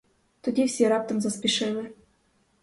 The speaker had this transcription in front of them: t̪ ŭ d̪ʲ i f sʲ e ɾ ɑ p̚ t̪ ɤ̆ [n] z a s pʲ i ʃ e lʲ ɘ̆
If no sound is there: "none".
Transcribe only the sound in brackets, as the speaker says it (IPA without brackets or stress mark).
m